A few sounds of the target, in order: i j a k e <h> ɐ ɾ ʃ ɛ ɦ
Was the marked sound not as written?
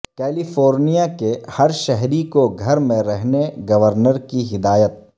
no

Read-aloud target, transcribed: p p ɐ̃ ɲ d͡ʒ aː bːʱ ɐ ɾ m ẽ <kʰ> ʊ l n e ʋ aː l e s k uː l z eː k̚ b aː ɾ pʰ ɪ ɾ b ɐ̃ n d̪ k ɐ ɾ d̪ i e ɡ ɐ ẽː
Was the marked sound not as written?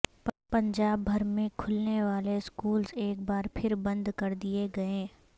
no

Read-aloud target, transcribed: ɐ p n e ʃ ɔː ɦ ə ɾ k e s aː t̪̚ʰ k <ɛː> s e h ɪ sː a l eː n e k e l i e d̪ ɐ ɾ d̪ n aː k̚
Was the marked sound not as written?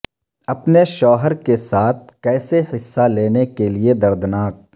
no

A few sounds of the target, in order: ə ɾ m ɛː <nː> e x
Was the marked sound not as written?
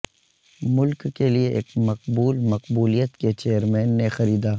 no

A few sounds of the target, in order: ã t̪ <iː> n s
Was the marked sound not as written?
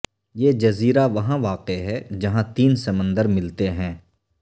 no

